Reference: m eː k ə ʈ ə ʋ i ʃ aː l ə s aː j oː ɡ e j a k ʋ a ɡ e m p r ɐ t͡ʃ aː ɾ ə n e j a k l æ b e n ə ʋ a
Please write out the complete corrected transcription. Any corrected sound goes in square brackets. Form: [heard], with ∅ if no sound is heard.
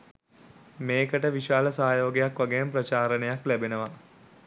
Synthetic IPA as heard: m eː k ə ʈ ə ʋ i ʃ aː l ə s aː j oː ɡ e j a k ʋ a ɡ e m p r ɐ t͡ʃ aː ɾ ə n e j a k l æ b e n ə ʋ a

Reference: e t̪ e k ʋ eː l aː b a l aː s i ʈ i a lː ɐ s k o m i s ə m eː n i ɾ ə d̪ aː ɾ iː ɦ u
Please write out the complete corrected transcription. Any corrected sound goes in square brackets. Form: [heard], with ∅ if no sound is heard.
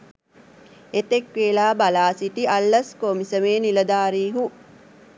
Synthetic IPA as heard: e t̪ e k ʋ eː l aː b a l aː s i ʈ i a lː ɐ s k o m i s ə m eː n i [l] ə d̪ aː ɾ iː ɦ u

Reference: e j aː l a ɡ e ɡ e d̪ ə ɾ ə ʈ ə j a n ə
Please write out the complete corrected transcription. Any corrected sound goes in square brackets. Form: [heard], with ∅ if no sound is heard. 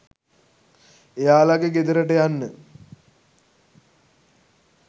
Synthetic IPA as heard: e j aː l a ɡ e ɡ e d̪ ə ɾ ə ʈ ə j a [nː] ə

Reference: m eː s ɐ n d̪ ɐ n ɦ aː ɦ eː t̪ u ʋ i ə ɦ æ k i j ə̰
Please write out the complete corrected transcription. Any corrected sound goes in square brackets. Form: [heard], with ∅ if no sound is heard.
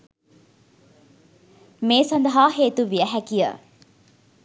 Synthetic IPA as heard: m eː s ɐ n d̪ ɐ [∅] ɦ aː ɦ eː t̪ u ʋ i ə ɦ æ k i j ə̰

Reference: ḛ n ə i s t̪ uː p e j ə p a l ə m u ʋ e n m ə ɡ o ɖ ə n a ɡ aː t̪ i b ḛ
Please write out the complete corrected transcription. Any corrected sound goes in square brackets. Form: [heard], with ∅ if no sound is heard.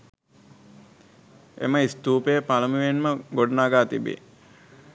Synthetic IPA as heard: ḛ [m] ə i s t̪ uː p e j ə p a l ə m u ʋ e n m ə ɡ o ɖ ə n a ɡ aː t̪ i b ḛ

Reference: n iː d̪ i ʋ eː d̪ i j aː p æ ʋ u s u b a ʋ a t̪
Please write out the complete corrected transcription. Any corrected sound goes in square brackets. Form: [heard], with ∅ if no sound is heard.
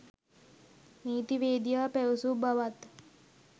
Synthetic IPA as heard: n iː [t̪] i ʋ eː d̪ i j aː p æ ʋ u s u b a ʋ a t̪

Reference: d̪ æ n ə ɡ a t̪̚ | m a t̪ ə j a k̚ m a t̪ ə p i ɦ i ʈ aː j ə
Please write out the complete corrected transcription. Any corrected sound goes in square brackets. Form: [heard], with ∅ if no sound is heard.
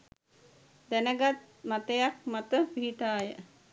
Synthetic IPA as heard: d̪ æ n ə ɡ a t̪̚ | m a t̪ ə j a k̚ m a t̪ ə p i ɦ i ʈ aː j ə

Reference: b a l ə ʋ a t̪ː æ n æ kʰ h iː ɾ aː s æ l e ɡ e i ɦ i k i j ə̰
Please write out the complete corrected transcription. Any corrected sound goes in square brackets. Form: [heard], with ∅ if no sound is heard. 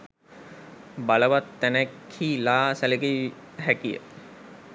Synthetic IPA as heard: b a l ə ʋ a t̪ː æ n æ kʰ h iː [l] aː s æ l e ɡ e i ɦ [æ] k i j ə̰

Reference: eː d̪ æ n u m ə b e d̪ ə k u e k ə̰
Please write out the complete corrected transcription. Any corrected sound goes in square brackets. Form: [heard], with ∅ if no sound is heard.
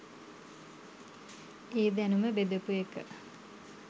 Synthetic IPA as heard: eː d̪ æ n u m ə b e d̪ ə [p] u e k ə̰

